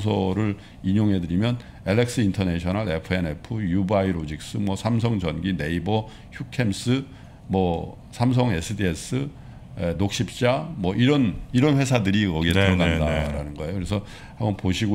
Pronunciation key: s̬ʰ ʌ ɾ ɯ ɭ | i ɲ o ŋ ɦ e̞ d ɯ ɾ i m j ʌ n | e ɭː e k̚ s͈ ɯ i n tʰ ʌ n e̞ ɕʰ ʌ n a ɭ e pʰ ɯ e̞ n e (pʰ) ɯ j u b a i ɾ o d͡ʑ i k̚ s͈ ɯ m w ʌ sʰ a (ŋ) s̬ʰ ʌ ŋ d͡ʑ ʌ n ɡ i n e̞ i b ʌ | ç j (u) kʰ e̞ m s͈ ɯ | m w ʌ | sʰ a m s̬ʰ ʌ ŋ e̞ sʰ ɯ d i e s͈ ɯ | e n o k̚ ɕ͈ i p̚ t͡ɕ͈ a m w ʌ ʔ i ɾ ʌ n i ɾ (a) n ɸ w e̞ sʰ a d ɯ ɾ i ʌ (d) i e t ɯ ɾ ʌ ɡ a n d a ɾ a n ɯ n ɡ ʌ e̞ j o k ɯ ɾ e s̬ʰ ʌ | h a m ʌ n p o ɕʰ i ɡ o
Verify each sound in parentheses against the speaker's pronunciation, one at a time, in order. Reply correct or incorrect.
correct, incorrect, correct, incorrect, incorrect

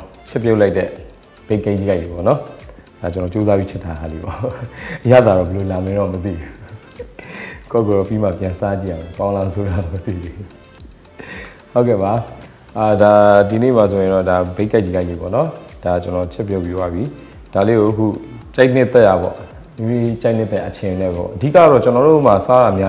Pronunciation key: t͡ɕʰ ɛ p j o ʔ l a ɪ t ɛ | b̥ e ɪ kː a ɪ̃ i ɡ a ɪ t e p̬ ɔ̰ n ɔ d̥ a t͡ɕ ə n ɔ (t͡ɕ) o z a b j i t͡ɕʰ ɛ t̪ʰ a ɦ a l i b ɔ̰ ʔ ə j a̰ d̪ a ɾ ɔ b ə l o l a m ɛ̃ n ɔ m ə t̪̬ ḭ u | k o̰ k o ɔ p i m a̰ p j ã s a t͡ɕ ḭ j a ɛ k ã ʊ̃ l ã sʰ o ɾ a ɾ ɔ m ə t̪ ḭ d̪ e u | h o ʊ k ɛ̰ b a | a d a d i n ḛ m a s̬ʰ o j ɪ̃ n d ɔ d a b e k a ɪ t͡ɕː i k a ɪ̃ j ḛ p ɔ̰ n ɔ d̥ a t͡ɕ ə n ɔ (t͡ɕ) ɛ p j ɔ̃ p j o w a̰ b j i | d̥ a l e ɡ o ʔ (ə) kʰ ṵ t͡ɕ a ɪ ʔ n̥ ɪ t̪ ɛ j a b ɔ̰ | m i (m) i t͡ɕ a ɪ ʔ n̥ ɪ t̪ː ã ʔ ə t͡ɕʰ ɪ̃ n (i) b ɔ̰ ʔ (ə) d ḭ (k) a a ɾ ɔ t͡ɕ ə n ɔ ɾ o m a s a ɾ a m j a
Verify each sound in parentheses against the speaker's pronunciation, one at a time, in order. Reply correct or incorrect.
correct, incorrect, correct, correct, incorrect, correct, correct

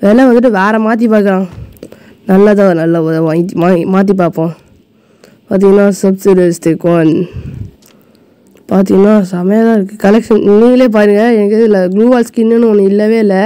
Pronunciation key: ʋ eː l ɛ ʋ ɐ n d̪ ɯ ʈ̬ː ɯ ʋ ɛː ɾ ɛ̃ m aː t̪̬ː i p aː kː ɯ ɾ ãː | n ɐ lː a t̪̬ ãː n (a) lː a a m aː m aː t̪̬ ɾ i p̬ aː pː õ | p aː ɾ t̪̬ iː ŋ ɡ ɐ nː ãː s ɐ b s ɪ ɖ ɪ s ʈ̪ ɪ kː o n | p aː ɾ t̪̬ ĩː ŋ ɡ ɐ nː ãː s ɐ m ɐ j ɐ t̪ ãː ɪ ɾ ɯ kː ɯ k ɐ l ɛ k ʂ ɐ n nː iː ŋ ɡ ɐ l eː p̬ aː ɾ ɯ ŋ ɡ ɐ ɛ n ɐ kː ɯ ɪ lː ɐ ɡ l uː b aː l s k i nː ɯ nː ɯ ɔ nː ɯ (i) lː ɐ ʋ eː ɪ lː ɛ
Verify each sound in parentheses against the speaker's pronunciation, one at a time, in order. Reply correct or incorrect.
incorrect, incorrect

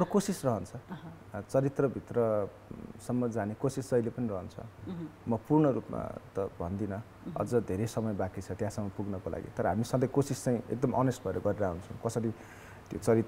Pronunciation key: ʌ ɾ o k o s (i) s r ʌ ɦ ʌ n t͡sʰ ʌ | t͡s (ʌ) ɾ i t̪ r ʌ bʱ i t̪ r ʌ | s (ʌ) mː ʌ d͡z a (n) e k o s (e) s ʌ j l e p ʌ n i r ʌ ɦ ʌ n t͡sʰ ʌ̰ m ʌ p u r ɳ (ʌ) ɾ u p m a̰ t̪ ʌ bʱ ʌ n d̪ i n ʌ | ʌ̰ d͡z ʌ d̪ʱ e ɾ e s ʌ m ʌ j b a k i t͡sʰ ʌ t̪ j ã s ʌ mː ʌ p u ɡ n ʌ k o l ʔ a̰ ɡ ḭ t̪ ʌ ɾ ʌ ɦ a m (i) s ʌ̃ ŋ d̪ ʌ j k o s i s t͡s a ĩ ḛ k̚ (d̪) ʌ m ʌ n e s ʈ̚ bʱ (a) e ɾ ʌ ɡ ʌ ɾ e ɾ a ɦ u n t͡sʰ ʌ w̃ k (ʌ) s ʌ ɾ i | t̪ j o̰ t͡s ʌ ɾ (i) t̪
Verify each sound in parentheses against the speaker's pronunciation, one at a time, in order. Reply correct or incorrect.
correct, correct, correct, correct, incorrect, correct, correct, correct, incorrect, correct, correct

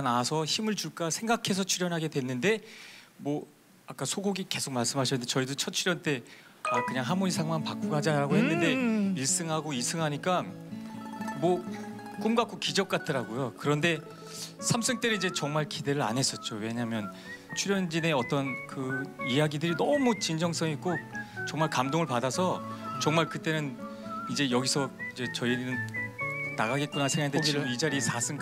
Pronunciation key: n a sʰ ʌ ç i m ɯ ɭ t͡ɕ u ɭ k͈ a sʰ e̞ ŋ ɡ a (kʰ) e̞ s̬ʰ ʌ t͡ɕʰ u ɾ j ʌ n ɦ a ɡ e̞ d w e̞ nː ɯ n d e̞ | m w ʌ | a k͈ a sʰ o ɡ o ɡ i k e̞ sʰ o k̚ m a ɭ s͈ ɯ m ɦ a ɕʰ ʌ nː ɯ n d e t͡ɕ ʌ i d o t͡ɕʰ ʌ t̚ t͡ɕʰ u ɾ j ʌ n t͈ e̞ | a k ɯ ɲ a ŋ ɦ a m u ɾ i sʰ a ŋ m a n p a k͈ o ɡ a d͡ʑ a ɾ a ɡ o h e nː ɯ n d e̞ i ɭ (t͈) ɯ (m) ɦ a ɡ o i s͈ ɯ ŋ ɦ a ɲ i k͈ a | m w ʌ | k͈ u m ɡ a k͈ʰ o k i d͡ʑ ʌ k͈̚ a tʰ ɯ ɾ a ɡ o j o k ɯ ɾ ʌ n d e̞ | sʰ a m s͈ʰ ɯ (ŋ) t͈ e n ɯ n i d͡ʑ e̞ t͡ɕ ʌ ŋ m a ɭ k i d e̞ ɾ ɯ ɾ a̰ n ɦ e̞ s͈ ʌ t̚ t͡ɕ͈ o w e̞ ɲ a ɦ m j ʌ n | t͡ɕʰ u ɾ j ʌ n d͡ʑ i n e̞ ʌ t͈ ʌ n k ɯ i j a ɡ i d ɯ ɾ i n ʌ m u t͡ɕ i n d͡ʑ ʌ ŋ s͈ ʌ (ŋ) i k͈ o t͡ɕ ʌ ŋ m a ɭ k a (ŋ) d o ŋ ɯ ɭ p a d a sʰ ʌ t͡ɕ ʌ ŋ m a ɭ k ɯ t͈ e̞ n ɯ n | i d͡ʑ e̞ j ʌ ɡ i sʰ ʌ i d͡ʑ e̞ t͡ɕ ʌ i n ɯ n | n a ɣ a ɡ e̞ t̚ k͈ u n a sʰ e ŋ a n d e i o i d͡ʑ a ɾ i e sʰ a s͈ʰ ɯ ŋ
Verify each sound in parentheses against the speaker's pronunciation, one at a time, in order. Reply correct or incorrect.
correct, incorrect, incorrect, correct, correct, incorrect

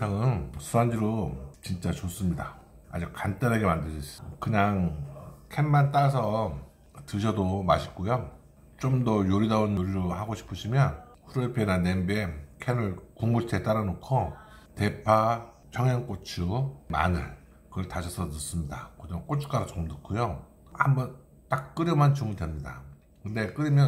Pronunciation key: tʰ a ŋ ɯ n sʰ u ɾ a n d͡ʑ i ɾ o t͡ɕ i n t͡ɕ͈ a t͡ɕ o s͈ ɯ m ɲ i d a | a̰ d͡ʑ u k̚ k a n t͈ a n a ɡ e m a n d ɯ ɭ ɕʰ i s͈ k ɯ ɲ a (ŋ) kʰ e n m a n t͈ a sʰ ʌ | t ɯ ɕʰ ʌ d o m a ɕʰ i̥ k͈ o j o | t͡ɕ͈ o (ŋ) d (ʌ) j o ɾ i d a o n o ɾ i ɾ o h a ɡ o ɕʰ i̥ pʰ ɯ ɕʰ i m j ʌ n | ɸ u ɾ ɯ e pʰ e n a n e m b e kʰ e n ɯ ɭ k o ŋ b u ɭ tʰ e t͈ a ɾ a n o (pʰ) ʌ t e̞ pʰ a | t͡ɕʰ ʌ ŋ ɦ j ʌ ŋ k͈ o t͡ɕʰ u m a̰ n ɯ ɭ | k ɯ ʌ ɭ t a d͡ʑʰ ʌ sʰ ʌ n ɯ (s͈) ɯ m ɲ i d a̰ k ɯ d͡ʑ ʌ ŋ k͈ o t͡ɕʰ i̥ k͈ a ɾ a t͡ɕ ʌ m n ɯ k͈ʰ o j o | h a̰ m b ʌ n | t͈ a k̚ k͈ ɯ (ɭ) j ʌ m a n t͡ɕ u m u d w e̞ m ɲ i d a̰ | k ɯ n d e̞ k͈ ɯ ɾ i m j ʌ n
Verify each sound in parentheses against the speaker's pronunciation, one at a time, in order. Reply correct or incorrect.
correct, incorrect, correct, incorrect, correct, incorrect

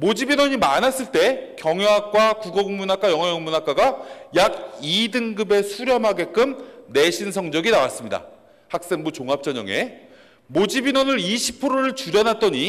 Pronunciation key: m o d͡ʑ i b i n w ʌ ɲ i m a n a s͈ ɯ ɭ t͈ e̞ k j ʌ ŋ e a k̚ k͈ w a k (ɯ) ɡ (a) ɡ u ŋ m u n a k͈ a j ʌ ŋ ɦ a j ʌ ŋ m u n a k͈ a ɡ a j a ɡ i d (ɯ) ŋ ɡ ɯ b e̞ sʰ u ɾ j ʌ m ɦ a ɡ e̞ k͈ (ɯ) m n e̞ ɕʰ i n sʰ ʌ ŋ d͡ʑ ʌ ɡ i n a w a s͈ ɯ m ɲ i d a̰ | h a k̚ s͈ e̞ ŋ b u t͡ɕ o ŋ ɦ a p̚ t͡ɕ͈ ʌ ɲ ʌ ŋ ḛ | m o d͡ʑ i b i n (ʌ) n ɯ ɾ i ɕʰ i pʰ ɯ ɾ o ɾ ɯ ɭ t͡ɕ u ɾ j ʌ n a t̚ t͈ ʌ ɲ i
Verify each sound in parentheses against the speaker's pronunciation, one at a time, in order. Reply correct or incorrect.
incorrect, incorrect, correct, correct, correct

